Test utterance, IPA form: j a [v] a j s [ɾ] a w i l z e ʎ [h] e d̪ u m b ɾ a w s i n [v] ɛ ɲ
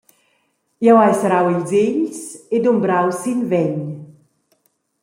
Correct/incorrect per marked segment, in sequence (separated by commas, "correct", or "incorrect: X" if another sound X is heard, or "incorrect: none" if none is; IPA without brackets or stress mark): incorrect: w, correct, incorrect: s, correct